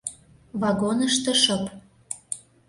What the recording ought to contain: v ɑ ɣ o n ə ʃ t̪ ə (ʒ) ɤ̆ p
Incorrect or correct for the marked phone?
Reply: incorrect: ʃ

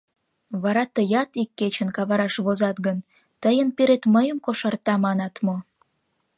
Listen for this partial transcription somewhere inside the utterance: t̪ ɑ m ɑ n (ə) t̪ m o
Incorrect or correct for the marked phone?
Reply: incorrect: ɑ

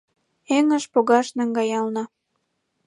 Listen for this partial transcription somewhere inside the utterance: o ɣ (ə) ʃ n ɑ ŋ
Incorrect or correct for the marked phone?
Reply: incorrect: ɑ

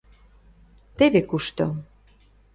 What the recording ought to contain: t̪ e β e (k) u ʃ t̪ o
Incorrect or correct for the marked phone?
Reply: correct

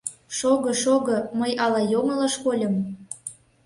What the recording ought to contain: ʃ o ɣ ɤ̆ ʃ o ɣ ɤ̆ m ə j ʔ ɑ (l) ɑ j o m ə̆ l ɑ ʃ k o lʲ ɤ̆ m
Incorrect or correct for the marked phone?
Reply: correct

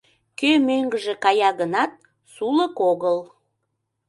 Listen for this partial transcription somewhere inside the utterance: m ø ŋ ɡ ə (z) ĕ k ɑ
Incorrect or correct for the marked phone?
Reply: incorrect: ʒ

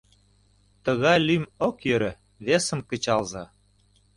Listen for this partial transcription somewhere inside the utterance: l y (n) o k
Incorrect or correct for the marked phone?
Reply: incorrect: m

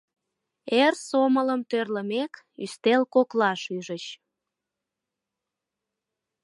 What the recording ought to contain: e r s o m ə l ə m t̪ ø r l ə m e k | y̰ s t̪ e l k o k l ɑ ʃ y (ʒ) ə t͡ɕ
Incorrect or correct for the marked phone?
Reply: correct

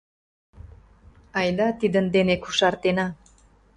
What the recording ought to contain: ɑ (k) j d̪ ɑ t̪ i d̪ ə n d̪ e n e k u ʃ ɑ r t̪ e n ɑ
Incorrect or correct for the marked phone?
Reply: incorrect: none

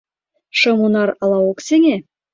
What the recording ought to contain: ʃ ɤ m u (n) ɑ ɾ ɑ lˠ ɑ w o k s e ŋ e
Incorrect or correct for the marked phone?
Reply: correct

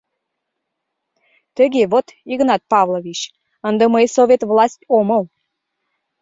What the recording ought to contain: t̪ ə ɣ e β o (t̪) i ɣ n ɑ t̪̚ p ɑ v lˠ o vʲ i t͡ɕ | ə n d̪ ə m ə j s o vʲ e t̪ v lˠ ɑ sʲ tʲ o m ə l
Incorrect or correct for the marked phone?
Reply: correct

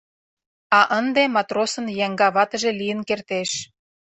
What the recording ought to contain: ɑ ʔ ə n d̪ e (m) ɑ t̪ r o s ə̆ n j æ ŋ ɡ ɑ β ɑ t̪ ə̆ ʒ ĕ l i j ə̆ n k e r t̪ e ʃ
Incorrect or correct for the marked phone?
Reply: correct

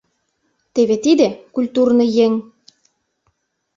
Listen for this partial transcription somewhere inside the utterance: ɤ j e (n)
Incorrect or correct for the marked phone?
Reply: incorrect: ŋ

